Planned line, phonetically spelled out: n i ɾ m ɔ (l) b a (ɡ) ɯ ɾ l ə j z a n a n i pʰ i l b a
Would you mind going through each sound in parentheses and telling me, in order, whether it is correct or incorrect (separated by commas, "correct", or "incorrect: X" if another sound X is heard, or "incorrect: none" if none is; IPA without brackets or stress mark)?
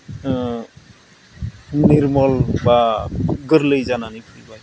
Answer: correct, correct